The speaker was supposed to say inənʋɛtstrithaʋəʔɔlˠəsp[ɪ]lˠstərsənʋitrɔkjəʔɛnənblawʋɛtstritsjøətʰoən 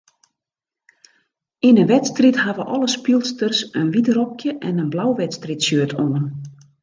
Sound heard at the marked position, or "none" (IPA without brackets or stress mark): i